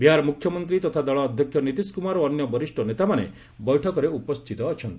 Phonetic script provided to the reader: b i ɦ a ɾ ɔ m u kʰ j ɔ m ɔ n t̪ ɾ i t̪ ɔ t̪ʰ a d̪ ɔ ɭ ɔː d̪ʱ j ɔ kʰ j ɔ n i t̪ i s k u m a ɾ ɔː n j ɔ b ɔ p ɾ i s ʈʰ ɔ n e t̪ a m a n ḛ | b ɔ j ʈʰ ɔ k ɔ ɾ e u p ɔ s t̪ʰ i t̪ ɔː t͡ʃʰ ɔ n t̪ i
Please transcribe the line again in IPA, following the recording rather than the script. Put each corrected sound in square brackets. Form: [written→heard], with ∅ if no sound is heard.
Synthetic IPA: b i ɦ a ɾ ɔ m u kʰ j ɔ m ɔ n t̪ ɾ i t̪ ɔ t̪ʰ a d̪ ɔ ɭ ɔː d̪ʱ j ɔ kʰ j ɔ n i t̪ i s k u m a ɾ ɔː n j ɔ b ɔ [p→∅] ɾ i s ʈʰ ɔ n e t̪ a m a n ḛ | b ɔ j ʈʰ ɔ k ɔ ɾ e u p ɔ s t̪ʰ i t̪ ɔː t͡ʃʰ ɔ n t̪ i